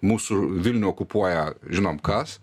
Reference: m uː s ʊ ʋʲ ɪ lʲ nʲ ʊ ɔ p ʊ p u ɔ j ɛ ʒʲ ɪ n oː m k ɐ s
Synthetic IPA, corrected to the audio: m uː s ʊ ʋʲ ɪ lʲ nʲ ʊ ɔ k ʊ p u ɔ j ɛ ʒʲ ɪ n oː m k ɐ s

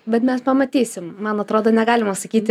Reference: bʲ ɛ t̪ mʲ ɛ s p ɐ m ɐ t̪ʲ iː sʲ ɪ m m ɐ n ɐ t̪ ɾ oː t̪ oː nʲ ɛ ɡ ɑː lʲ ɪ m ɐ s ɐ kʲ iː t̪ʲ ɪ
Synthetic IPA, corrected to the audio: bʲ ɛ t̪ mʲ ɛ s p ɐ m ɐ t̪ʲ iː sʲ ɪ m m ɐ n ɐ t̪ ɾ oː d̪ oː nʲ ɛ ɡ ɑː lʲ ɪ m ɐ s ɐ kʲ iː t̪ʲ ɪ

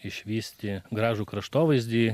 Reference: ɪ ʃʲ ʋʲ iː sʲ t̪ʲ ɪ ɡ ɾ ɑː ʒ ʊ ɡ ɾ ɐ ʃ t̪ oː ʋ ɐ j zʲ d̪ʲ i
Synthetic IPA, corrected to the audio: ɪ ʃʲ ʋʲ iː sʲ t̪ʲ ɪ ɡ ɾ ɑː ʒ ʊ k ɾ ɐ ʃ t̪ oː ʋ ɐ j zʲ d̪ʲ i

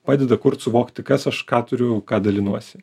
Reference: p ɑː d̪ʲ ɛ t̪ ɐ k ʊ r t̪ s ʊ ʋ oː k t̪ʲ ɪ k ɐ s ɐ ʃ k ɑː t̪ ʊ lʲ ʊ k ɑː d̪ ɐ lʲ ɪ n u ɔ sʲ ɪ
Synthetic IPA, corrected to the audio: p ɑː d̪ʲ ɛ d̪ ɐ k ʊ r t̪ s ʊ ʋ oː k t̪ʲ ɪ k ɐ s ɐ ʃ k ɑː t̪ ʊ ɾʲ ʊ k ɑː d̪ ɐ lʲ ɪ n u ɔ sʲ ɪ

